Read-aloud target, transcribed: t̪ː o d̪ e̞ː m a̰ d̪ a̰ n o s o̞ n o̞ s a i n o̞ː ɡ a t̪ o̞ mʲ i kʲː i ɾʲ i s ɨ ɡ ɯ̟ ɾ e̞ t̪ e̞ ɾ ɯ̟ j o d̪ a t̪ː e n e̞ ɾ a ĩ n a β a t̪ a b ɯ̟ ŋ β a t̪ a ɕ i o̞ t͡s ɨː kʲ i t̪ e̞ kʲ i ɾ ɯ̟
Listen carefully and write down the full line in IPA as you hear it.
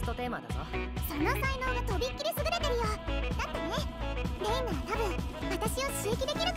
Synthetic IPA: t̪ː o t̪ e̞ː m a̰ d̪ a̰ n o s o̞ n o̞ s a i n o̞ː ɡ a t̪ o̞ bʲ i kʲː i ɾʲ i s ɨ ɡ ɯ̟ ɾ e̞ t̪ e̞ ɾ ɯ̟ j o d̪ a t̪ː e n e̞ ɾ e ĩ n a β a t̪ a b ɯ̟̃ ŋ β a t̪ a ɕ i o̞ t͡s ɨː kʲ i d̪ e̞ kʲ i ɾ ɯ̟